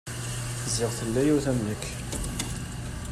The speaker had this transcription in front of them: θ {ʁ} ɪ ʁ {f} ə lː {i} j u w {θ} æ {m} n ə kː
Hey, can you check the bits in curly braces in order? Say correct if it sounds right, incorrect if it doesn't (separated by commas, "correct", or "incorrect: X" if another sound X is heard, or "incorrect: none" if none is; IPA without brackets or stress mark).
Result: incorrect: z, incorrect: θ, incorrect: æ, correct, correct